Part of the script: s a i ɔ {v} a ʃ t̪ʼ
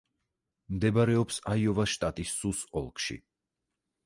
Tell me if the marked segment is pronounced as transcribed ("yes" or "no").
yes